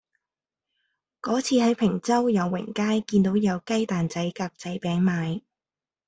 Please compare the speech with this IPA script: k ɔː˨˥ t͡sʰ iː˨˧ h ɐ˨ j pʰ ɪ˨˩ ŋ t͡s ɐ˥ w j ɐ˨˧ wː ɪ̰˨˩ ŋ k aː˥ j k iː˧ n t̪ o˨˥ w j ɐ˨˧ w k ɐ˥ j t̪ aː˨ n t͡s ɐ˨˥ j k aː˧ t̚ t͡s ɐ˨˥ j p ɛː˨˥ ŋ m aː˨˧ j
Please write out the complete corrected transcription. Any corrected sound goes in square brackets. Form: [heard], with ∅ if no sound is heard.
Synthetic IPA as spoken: k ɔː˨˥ t͡sʰ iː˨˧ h [ɐ˨˥] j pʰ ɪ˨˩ ŋ t͡s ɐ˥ w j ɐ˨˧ wː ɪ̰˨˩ ŋ k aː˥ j k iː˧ n t̪ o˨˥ w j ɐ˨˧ w k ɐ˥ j t̪ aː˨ n t͡s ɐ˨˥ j k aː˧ [k̚] t͡s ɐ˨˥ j p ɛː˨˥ ŋ m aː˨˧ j